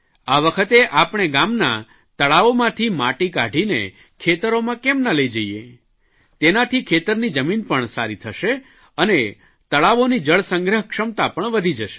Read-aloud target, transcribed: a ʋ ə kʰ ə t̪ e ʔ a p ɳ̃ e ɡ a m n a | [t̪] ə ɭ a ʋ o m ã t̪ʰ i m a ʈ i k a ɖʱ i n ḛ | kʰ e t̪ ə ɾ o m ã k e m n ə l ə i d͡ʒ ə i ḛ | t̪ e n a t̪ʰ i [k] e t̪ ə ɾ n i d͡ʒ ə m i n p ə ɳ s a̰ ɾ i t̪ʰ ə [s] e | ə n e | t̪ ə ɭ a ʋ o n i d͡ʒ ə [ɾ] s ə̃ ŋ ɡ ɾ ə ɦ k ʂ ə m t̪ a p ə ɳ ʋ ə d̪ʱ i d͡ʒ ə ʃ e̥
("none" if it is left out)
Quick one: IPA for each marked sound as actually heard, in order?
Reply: t̪, kʰ, ʃ, ɭ

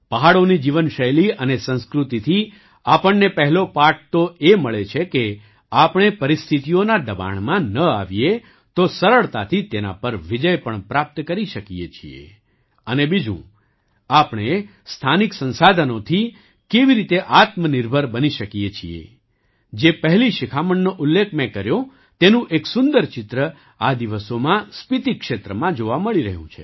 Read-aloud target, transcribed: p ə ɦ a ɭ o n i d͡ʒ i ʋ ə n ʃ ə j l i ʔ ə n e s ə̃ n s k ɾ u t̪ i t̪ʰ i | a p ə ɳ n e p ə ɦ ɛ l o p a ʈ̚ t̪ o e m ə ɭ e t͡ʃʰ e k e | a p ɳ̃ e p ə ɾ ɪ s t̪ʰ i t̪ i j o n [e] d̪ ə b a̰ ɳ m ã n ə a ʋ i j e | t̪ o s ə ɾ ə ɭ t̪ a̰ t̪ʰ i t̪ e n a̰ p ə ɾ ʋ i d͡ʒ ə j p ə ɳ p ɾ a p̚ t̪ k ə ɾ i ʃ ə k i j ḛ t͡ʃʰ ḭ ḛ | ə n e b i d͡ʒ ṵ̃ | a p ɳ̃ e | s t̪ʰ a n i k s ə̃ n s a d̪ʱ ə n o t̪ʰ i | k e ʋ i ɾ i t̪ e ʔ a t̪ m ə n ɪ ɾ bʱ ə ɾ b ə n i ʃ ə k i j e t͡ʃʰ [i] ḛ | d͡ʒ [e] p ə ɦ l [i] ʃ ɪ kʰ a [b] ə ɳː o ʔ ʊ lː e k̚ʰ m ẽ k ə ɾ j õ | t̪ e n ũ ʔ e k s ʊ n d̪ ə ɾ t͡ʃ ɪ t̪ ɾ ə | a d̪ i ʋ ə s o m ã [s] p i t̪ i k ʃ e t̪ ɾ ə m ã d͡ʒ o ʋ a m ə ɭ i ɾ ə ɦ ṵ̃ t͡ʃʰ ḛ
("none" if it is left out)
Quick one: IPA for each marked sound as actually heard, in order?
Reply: a, i, e, i, m, s

